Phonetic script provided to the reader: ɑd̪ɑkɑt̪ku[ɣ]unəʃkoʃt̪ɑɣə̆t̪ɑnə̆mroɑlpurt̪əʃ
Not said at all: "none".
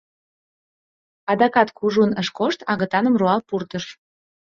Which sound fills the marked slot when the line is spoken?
ʒ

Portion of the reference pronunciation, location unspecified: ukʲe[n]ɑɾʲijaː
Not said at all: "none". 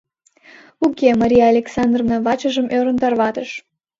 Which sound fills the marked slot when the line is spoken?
m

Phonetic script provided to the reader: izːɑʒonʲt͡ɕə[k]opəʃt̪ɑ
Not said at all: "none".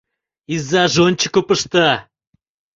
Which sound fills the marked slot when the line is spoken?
k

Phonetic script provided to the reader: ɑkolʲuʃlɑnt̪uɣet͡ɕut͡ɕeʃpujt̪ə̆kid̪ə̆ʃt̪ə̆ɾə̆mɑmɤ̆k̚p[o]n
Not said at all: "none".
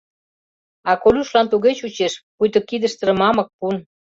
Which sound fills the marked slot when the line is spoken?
u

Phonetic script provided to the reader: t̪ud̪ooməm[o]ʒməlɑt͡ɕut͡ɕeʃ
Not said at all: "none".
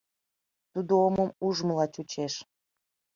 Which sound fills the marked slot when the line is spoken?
u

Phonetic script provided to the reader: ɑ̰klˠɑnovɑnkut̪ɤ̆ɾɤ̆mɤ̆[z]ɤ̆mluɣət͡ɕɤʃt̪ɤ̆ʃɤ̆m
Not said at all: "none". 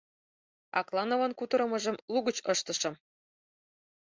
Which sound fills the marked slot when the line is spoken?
ʒ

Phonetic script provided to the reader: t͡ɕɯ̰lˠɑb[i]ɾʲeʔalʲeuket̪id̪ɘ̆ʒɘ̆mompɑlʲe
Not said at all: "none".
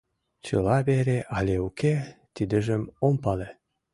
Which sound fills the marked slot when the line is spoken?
e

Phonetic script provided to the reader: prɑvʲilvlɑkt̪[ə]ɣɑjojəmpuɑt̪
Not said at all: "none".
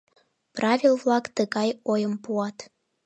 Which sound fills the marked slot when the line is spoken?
ə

